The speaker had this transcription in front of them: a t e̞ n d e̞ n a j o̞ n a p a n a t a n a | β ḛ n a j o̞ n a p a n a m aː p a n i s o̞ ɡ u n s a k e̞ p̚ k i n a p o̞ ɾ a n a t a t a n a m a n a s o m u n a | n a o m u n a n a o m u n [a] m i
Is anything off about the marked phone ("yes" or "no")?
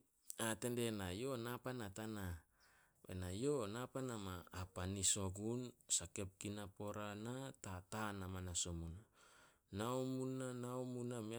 no